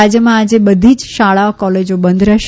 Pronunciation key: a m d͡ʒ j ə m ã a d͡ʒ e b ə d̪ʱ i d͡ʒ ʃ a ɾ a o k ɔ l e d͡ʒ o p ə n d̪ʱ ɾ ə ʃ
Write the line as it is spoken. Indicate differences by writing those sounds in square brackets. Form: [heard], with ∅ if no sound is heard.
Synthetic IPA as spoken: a [∅] d͡ʒ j ə m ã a d͡ʒ e b ə d̪ʱ i d͡ʒ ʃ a [ɭ] a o k ɔ l e d͡ʒ o [b] ə n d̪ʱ ɾ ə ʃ